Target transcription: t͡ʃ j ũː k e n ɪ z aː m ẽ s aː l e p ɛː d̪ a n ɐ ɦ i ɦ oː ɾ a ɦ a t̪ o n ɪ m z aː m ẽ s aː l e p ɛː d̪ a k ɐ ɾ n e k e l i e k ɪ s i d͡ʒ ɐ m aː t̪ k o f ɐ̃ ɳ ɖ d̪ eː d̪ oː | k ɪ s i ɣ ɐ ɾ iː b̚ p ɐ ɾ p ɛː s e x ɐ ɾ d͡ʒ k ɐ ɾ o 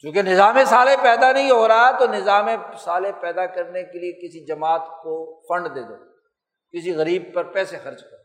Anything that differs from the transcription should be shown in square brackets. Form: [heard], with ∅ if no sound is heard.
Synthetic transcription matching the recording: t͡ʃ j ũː k e n ɪ z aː m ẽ s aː l e p ɛː d̪ a n ɐ ɦ [ĩ] ɦ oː ɾ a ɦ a t̪ o n ɪ [∅] z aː m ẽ s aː l e p ɛː d̪ a k ɐ ɾ n e k e l i e k ɪ s i d͡ʒ ɐ m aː t̪ k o f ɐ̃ ɳ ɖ d̪ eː d̪ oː | k ɪ s i ɣ ɐ ɾ iː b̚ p ɐ ɾ p ɛː s e x ɐ ɾ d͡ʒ k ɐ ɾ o